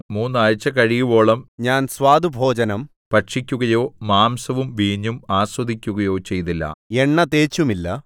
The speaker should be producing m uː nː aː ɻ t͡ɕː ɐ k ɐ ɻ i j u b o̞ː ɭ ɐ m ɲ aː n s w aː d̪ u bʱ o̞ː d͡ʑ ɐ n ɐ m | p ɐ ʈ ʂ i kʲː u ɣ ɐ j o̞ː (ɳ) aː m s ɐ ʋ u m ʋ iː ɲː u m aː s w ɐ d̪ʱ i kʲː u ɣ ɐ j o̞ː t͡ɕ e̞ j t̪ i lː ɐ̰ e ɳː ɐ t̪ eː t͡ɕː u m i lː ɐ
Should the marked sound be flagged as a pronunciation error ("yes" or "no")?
yes